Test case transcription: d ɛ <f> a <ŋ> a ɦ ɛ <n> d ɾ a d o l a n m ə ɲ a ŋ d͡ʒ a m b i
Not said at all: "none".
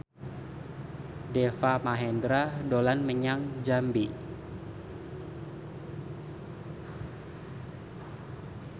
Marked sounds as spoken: f, m, n

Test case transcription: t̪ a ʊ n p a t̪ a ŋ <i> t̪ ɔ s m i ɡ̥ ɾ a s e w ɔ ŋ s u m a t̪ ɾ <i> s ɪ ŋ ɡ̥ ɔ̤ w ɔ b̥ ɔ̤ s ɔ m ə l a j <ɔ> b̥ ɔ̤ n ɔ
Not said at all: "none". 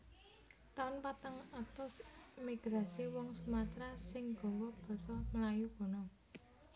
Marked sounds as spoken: a, a, u

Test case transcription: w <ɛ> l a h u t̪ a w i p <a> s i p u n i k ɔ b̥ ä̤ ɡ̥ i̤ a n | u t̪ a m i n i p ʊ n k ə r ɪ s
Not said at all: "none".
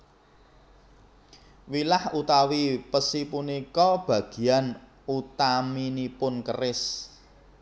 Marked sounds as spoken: i, ə

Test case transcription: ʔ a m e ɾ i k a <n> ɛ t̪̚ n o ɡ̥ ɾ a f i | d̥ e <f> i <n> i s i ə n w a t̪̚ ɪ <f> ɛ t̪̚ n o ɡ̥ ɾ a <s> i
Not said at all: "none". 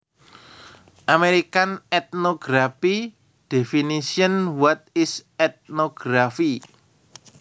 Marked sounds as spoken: n, f, n, s, f

